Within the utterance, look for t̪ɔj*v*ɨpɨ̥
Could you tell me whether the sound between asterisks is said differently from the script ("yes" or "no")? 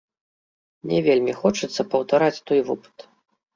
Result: no